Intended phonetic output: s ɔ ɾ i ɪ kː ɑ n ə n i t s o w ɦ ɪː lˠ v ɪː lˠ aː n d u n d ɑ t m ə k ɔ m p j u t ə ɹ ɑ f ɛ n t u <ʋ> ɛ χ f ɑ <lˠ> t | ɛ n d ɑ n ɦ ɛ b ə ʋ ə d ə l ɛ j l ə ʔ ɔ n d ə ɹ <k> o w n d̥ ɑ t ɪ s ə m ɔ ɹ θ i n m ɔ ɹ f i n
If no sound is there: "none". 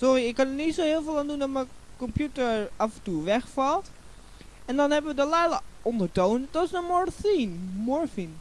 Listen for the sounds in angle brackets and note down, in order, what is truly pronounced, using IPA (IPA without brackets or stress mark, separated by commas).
ʋ, lˠ, t